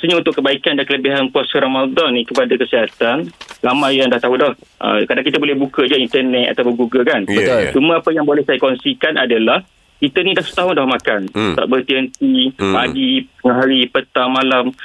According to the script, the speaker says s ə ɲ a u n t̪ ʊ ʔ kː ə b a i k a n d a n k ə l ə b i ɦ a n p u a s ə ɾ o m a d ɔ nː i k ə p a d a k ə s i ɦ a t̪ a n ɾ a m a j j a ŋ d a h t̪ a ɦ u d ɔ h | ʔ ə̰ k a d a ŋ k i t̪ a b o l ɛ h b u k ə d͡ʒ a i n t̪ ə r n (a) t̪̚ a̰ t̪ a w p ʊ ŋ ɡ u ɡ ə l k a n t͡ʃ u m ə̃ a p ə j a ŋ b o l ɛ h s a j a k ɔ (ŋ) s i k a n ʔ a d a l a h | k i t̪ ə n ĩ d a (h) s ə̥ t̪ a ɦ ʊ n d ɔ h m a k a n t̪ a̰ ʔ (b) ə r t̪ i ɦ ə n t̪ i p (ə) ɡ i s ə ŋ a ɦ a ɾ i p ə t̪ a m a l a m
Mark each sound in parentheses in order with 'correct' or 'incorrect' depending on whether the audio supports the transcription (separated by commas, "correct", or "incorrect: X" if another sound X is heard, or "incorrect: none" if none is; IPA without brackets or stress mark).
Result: incorrect: ɛ, incorrect: n, correct, correct, incorrect: a